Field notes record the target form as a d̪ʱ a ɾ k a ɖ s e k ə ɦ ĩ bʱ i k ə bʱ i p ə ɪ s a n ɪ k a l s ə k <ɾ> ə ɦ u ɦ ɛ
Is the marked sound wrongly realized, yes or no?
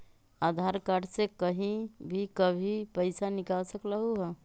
yes